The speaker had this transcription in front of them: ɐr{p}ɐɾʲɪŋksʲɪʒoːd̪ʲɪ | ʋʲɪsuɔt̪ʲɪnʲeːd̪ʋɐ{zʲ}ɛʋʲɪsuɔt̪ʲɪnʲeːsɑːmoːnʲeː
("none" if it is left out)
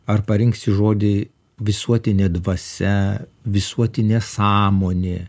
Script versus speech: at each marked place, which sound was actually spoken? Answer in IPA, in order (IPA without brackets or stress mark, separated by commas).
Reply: p, sʲ